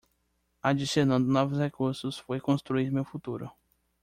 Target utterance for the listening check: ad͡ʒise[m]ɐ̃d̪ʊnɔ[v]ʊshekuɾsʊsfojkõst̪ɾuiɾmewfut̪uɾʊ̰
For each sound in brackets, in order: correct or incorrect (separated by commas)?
incorrect, correct